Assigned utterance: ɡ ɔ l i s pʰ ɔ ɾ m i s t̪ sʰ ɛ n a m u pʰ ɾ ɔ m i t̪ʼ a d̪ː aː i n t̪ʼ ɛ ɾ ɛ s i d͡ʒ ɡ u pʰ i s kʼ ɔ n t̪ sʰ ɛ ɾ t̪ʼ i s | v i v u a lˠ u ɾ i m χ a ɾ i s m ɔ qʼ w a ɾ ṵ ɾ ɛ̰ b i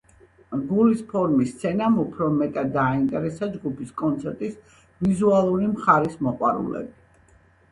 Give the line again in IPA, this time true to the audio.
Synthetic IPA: ɡ u l i s pʰ ɔ ɾ m i s t̪ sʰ ɛ n a m u pʰ ɾ ɔ m ɛ t̪ʼ a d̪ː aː i n t̪ʼ ɛ ɾ ɛ s a d͡ʒ ɡ u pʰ i s kʼ ɔ n t̪ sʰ ɛ ɾ t̪ʼ i s | v i z u a lˠ u ɾ i m χ a ɾ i s m ɔ qʼ w a ɾ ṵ l ɛ̰ b i